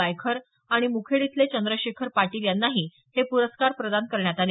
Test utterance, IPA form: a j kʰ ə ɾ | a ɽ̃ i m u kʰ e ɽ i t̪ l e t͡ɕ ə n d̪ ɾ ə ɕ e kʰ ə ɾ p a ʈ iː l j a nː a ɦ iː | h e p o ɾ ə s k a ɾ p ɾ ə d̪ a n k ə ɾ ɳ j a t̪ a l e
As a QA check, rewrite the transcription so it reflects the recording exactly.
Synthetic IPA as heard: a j kʰ ə ɾ | a ɽ̃ i m u kʰ e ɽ i t̪ l e t͡ɕ ə n d̪ ɾ ə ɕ e kʰ ə ɾ p a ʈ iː l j a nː a ɦ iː | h e p u ɾ ə s k a ɾ p ɾ ə d̪ a n k ə ɾ ɳ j a t̪ a l e

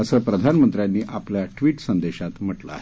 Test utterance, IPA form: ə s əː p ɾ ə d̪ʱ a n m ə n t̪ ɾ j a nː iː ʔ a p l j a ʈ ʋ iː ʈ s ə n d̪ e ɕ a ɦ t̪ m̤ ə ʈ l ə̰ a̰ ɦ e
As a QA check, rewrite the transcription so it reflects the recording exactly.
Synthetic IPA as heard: ə s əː p ɾ ə d̪ʱ a n m ə n t̪ ɾ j a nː iː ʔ a p l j a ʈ ʋ iː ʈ s ə n d̪ e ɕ a t̪ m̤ ə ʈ l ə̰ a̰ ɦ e

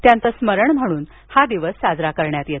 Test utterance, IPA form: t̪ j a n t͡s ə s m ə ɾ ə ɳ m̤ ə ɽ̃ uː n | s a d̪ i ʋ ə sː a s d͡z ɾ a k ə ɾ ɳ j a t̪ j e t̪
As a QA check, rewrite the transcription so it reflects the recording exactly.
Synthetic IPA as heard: t̪ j a n t͡s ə s m ə ɾ ə ɳ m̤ ə ɽ̃ uː n | h a d̪ i ʋ ə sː a d͡z ɾ a k ə ɾ ɳ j a t̪ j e t̪

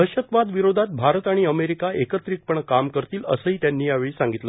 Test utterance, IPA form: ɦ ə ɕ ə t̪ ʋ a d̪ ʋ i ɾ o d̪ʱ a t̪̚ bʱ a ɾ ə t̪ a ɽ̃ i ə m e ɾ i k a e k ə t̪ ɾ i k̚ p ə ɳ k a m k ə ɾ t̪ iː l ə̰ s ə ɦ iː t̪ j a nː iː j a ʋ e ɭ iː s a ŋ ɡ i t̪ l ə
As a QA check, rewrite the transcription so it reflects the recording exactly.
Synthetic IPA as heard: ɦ ə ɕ ə t̪ ʋ a d̪ ʋ i ɾ o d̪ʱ a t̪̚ bʱ a ɾ ə t̪ a ɽ̃ i ə m e ɾ i k a e k ə t̪ ɾ i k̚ p ə ɳ k a m k ə ɾ t̪ iː l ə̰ s ə ɦ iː t̪ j a nː iː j a ʋ e ɭ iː s a ŋ ɡ i t̪ l ə

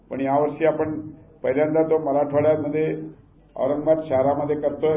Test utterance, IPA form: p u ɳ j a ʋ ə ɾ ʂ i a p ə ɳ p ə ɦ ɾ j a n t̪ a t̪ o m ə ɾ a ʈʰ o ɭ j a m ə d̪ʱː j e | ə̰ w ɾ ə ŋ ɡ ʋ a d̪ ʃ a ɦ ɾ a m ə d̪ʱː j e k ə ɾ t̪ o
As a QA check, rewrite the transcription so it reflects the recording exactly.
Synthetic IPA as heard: p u ɳ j a ʋ ə ɾ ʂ i a p ə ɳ p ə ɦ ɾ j a n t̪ a t̪ o m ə ɾ a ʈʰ o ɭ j a m ə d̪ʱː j e | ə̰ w ɾ ə ŋ ɡ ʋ a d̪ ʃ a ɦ ɾ a m ə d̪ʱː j e k ə ɾ t̪ o

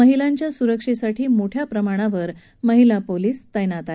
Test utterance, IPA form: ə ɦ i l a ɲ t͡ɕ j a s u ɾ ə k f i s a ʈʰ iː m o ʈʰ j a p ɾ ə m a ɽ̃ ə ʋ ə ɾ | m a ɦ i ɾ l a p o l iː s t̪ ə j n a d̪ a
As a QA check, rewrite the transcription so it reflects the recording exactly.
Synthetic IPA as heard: ə ɦ i l a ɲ t͡ɕ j a s u ɾ ə k ʂ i s a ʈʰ iː m o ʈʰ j a p ɾ ə m a ɽ̃ a ʋ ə ɾ | m ə ɦ i l a p o l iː s t̪ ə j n a t̪ a

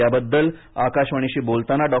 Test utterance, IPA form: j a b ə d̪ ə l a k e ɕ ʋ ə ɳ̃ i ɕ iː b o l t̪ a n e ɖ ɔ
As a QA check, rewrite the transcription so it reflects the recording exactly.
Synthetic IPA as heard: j a b ə d̪ː ə l a k a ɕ ʋ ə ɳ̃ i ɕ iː b o l t̪ a n a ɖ ɔ

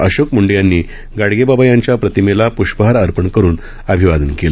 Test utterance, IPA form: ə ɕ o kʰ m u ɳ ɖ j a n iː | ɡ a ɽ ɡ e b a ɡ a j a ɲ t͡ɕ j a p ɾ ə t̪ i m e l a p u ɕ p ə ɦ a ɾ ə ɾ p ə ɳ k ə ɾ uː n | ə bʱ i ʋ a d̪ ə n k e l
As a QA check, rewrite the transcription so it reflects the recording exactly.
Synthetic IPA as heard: ə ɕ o k m u ɳ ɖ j a nː iː | ɡ a ɽ ɡ e b a b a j a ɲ t͡ɕ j a p ɾ ə t̪ i m e l a p u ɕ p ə ɦ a ɾ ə ɾ p ə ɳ k ə ɾ uː n | ə bʱ i ʋ a d̪ ə n k e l

